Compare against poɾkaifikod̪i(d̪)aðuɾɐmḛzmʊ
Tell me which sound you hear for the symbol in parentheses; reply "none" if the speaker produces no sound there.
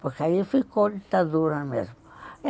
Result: t̪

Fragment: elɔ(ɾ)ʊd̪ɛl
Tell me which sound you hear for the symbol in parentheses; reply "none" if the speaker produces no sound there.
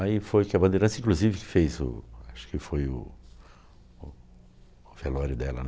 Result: ɾ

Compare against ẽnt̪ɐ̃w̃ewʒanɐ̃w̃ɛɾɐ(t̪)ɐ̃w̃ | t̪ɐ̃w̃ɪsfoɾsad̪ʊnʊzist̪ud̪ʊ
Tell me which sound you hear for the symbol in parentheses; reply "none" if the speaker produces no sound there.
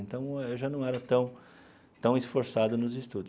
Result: t̪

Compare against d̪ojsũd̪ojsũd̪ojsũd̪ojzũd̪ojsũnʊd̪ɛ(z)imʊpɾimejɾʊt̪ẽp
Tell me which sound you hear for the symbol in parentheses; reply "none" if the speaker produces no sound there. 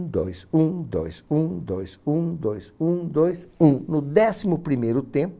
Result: s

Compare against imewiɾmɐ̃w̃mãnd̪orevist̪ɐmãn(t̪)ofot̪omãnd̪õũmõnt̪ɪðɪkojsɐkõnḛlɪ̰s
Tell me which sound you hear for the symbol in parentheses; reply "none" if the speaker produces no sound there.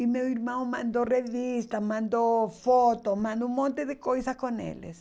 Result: d̪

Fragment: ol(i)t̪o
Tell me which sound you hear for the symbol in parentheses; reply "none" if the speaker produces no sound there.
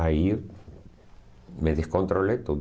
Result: e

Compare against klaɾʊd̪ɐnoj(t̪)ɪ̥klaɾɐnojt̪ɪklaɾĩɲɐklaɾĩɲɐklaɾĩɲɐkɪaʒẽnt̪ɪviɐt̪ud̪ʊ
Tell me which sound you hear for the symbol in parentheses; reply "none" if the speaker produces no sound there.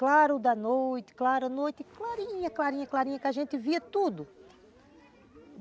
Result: t̪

